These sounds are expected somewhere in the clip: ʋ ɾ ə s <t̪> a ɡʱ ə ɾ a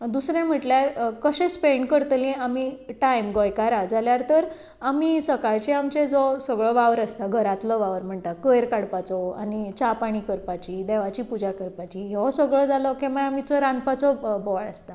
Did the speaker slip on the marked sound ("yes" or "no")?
no